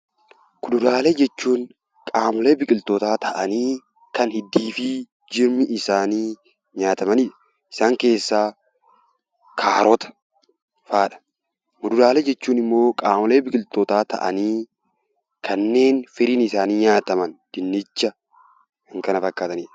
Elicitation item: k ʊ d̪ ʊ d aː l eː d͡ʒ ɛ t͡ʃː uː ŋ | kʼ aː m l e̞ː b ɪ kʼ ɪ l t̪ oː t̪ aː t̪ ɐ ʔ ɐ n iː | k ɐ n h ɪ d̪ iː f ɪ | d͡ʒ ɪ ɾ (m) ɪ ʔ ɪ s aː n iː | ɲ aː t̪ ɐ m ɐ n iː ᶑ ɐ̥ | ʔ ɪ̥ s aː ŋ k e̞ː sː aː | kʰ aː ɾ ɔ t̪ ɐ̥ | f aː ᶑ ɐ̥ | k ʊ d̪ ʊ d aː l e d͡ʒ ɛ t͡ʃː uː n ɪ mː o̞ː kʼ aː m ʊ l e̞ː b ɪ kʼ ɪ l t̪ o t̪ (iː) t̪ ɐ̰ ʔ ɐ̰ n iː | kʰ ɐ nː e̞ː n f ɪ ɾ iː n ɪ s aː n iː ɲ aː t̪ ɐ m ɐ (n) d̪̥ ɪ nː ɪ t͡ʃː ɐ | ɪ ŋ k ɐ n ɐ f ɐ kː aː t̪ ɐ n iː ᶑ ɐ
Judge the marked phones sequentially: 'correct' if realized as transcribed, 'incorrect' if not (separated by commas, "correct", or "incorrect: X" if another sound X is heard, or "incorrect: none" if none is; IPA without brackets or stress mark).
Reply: correct, incorrect: aː, correct